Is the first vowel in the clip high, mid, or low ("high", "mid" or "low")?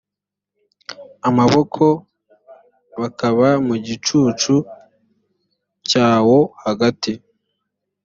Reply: low